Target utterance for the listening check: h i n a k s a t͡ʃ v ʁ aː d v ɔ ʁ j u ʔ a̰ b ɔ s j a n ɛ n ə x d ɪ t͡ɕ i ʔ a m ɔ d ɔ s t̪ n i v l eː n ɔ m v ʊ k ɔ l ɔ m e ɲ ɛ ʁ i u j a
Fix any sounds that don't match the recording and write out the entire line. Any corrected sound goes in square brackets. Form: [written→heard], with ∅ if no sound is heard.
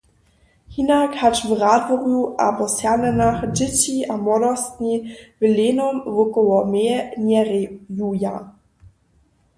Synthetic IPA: h i n a k [s→h] a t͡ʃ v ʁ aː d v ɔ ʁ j u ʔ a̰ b ɔ s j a n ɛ n [ə→a] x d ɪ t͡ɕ i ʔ a m ɔ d ɔ s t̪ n i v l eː n ɔ m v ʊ k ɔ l ɔ m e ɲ ɛ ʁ [i→j] u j a